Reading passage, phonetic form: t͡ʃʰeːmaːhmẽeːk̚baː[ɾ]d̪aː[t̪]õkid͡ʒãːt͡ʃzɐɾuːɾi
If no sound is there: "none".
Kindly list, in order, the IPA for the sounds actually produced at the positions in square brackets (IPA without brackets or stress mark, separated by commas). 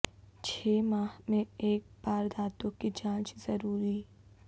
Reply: ɾ, t̪